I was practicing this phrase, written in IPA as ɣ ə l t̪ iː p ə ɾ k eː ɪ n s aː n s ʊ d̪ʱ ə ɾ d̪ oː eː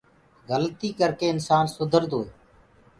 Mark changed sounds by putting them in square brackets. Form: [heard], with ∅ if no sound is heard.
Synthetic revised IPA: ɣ ə l t̪ iː [k] ə ɾ k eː ɪ n s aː n s ʊ d̪ʱ ə ɾ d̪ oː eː